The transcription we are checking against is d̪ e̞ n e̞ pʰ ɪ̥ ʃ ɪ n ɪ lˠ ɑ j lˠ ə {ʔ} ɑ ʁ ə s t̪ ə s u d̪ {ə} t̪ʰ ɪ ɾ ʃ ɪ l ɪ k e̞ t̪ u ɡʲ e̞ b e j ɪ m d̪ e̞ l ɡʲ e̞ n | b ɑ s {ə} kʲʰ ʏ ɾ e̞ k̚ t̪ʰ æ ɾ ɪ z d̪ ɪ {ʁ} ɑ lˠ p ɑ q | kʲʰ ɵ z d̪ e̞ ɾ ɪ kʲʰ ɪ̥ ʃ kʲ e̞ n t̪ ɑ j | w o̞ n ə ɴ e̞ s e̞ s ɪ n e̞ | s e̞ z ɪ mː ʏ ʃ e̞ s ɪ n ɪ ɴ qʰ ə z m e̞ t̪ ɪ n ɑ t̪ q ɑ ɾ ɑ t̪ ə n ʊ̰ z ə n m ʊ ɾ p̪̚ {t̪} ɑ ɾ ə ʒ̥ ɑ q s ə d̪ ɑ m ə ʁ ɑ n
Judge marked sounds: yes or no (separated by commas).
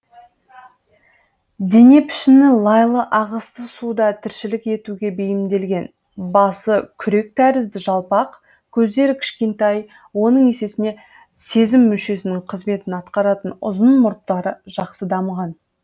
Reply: yes, no, yes, no, yes